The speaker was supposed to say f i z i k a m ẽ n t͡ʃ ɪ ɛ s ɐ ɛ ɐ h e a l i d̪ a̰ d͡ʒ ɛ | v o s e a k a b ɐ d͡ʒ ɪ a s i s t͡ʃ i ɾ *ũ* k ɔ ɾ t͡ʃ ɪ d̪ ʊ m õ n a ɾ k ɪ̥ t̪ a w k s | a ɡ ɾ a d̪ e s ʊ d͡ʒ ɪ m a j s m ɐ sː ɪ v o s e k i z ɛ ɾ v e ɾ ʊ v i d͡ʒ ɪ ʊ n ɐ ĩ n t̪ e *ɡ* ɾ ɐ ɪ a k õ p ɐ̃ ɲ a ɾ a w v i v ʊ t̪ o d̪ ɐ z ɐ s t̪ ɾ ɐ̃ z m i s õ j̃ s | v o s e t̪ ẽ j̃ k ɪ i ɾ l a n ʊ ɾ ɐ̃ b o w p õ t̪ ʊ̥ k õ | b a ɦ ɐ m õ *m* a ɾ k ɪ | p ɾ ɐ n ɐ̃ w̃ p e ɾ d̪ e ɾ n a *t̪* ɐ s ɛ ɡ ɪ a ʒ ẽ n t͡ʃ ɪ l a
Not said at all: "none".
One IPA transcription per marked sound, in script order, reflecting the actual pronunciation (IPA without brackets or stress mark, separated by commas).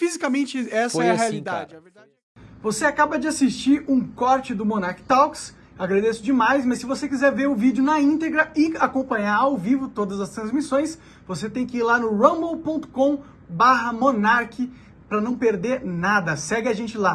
ũ, ɡ, n, d̪